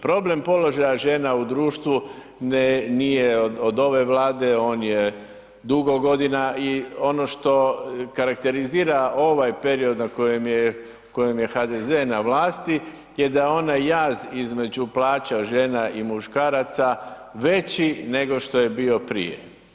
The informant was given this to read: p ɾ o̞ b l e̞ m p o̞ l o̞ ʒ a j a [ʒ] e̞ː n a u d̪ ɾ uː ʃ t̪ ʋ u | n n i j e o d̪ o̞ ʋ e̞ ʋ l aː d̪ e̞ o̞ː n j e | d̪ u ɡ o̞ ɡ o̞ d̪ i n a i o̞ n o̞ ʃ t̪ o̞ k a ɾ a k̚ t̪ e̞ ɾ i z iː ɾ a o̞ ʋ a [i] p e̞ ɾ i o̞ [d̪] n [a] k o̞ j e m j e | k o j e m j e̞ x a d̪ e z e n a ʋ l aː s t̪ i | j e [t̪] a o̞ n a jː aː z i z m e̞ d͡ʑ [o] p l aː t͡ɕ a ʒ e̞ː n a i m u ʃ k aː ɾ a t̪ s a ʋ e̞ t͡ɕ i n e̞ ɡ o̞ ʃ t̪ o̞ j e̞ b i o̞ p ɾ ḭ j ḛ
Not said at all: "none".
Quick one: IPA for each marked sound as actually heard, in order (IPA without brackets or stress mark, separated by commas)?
ʒ, j, d̪, a, d̪, u